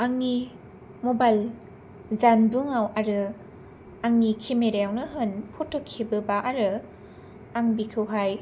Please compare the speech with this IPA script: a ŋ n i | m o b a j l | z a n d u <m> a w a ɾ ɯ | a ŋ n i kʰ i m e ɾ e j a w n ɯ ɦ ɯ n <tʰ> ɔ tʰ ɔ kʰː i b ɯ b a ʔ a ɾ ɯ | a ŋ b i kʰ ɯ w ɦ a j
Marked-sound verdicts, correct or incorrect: incorrect: ŋ, incorrect: pʰ

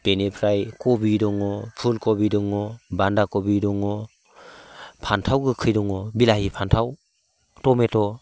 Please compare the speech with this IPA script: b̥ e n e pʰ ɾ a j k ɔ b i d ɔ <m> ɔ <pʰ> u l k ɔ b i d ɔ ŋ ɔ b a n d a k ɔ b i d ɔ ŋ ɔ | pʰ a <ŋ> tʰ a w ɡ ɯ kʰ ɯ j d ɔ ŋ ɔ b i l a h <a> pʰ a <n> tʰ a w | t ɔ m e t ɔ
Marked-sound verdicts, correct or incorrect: incorrect: ŋ, correct, incorrect: n, incorrect: i, correct

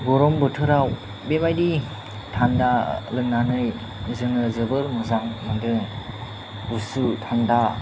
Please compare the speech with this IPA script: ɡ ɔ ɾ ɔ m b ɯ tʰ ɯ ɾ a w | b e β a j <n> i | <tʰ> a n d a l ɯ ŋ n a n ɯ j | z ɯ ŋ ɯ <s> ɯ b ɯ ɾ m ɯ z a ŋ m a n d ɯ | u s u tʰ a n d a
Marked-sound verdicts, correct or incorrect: incorrect: d, correct, incorrect: z

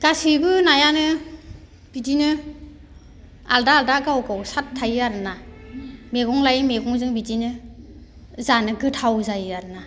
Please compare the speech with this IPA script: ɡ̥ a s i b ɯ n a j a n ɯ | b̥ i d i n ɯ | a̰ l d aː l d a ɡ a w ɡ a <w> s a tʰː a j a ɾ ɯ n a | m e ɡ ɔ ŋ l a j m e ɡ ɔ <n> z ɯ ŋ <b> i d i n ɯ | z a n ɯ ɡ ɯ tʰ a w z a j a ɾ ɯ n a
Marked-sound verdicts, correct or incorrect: correct, incorrect: ŋ, correct

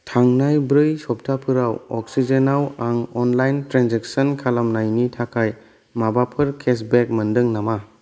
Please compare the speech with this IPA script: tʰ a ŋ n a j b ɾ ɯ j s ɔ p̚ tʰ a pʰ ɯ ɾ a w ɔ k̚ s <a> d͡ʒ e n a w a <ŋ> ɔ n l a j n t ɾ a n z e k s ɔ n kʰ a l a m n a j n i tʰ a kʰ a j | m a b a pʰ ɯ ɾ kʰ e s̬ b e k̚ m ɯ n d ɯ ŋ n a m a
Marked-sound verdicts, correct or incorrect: incorrect: i, correct

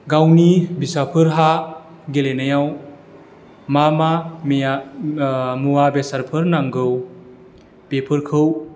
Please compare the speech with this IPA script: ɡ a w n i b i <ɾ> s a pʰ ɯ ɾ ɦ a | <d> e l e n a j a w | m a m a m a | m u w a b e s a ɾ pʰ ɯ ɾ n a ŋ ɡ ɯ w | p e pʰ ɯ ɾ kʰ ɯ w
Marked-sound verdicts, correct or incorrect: incorrect: none, incorrect: ɡ

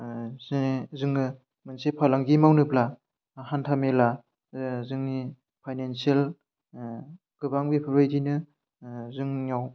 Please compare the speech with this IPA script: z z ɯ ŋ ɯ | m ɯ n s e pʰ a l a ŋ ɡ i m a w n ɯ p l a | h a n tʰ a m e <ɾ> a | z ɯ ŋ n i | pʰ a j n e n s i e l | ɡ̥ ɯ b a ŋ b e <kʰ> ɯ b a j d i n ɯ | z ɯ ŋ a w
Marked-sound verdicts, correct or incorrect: incorrect: l, incorrect: pʰ

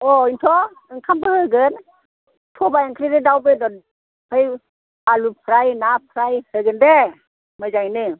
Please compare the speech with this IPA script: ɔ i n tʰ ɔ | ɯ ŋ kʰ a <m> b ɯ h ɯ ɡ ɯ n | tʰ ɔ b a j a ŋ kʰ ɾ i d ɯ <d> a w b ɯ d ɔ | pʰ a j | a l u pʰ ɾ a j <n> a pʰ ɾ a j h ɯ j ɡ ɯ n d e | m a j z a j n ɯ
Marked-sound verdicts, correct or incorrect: correct, correct, correct

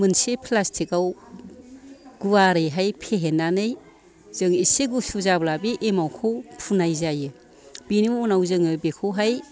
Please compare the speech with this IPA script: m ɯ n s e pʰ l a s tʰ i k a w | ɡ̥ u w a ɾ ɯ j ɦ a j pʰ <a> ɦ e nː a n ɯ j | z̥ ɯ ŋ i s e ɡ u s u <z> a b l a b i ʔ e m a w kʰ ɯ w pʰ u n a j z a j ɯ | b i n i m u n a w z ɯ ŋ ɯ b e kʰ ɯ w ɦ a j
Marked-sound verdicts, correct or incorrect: incorrect: e, correct

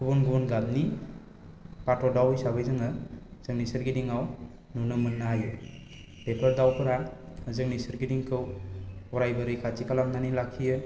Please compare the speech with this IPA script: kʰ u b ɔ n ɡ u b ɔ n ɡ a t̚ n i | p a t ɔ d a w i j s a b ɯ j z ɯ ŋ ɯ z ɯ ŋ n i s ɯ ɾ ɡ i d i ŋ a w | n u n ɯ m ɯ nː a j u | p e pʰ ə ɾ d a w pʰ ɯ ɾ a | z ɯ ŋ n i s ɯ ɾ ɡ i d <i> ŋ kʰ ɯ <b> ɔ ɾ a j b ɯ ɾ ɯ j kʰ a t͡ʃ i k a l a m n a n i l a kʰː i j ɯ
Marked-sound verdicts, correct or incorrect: correct, incorrect: w

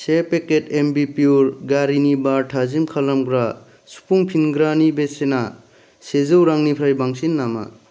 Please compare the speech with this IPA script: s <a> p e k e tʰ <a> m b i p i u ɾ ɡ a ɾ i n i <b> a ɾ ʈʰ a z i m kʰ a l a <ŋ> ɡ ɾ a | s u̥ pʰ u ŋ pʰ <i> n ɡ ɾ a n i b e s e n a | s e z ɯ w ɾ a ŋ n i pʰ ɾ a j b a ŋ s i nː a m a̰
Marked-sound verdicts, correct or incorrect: incorrect: e, incorrect: e, correct, incorrect: m, correct

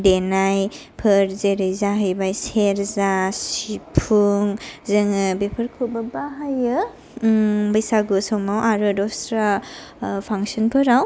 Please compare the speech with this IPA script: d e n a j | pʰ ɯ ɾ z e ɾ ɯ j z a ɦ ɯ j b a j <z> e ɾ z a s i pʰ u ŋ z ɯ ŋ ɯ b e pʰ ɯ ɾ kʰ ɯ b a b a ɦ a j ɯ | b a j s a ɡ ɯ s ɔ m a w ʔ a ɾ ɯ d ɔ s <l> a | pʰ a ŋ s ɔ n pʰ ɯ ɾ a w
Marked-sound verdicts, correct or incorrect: incorrect: s, incorrect: ɾ

